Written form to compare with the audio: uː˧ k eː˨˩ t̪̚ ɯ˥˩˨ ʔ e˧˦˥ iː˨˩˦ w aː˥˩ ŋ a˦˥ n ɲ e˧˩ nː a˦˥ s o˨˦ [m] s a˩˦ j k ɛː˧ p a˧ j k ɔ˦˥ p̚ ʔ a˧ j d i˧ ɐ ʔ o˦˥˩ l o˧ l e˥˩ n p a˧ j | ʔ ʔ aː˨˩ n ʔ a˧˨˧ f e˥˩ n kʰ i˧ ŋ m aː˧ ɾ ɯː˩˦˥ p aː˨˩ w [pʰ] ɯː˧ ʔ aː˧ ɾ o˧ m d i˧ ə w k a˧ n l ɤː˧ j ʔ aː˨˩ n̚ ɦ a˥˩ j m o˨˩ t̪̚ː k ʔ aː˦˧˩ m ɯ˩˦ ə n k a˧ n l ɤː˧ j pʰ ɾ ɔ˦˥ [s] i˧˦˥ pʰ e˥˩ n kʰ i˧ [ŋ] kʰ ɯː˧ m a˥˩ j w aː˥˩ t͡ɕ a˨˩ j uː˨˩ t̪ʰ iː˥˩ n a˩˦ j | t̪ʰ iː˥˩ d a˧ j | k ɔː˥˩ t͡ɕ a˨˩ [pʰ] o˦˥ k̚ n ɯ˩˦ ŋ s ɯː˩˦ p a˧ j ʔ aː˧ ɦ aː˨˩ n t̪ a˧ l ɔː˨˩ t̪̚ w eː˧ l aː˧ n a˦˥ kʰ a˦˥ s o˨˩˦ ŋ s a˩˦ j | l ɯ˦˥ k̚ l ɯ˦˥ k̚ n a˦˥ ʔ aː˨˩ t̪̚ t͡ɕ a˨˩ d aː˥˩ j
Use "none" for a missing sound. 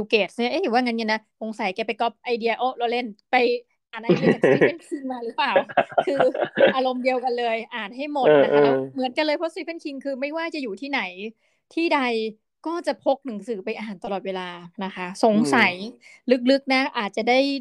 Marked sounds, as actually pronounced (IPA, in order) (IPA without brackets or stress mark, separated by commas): ŋ, kʰ, s, ŋ, pʰ